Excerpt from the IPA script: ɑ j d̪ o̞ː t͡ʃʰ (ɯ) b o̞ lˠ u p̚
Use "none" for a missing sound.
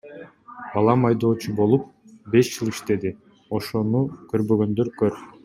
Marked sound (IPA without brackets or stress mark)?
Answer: u